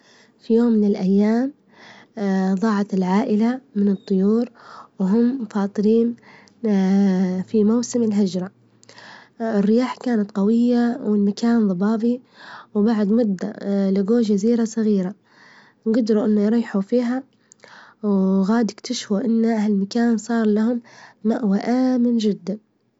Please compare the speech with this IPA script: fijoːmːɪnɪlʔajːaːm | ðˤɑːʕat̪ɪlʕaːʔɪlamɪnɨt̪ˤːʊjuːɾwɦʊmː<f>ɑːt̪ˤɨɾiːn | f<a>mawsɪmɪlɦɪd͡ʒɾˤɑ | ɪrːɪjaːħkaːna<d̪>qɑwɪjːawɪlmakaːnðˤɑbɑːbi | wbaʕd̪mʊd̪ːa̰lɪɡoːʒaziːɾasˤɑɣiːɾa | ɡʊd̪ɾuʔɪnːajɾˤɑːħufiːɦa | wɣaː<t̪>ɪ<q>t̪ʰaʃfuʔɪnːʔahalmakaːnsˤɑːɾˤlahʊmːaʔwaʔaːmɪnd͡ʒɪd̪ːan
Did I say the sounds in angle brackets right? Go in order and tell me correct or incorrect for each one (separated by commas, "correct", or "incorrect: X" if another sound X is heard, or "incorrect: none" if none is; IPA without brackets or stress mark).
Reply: correct, incorrect: i, incorrect: t̪, incorrect: d̪, incorrect: k